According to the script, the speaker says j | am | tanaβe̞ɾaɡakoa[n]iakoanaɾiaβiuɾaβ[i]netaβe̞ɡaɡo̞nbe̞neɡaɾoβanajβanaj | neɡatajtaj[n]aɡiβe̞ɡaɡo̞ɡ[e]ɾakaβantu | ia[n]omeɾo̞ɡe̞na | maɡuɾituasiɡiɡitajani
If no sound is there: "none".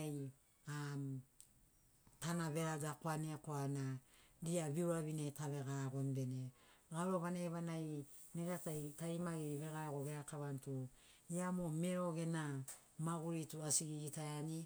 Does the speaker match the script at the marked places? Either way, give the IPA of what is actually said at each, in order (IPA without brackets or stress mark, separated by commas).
n, i, m, e, m